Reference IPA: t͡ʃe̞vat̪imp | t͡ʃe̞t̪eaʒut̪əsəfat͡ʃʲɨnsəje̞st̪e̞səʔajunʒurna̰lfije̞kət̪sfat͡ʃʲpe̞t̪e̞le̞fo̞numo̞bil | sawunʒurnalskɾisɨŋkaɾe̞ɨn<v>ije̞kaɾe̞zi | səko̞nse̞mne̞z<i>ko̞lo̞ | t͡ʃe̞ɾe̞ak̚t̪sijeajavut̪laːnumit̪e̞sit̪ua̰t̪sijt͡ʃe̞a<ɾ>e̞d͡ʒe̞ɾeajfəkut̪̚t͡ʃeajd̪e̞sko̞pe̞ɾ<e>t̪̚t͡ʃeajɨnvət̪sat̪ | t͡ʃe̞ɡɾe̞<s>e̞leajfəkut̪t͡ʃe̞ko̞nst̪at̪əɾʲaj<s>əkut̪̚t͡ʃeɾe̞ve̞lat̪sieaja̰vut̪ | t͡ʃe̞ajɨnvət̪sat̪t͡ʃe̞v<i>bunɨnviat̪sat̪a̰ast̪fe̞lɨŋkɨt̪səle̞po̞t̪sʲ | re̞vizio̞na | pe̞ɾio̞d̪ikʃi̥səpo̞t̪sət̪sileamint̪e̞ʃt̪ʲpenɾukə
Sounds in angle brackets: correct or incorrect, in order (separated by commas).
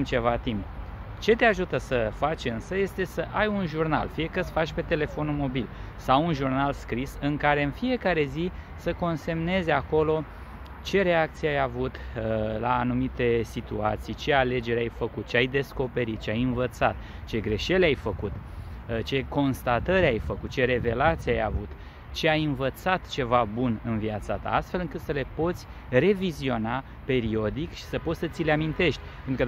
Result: incorrect, incorrect, incorrect, incorrect, incorrect, incorrect, incorrect